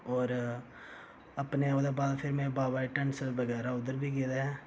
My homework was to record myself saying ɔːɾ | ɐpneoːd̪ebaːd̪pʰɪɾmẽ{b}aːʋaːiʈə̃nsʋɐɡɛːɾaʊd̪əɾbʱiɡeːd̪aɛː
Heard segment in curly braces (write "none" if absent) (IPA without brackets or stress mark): b